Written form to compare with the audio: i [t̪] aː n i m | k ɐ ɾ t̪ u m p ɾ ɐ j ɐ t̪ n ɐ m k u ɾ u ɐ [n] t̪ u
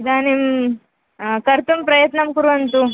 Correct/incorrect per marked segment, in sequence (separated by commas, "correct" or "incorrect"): incorrect, correct